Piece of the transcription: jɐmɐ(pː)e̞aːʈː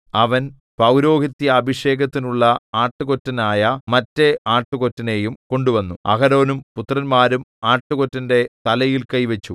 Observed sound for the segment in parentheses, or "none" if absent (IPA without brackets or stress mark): tː